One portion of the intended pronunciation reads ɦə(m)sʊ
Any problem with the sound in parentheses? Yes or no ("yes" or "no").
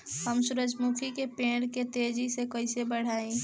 no